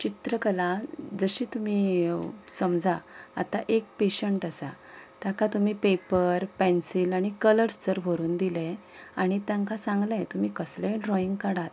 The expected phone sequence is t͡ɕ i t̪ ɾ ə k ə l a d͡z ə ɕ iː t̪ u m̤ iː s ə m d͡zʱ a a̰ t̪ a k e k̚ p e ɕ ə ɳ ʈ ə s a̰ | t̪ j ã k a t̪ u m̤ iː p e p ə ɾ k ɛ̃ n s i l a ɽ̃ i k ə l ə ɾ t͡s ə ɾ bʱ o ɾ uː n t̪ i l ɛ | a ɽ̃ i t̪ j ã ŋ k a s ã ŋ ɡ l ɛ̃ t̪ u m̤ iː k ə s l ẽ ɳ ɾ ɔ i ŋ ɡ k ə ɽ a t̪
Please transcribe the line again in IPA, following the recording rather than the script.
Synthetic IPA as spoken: t͡ɕ i t̪ ɾ ə k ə l a d͡z ə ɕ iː t̪ u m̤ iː s ə m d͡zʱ a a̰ t̪ a ʔ e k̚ p e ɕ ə ɳ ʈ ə s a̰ | t̪ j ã k a t̪ u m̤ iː p e p ə ɾ p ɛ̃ n s i l a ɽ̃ i k ə l ə ɾ t͡s ə ɾ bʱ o ɾ uː n d̪ i l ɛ | a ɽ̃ i t̪ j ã ŋ k a s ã ŋ ɡ l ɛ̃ t̪ u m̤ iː k ə s l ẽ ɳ ɾ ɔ i ŋ ɡ k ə ɽ a t̪